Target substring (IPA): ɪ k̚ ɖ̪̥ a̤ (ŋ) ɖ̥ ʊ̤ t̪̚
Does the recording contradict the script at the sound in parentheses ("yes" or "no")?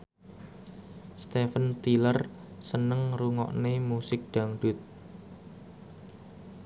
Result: no